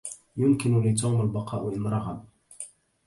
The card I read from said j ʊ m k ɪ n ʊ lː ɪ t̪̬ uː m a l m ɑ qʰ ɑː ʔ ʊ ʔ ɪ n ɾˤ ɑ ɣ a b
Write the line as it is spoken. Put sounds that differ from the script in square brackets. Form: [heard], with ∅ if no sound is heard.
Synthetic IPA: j ʊ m k ɪ n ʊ [l] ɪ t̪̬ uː m a l [b] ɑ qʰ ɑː ʔ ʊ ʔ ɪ n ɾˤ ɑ ɣ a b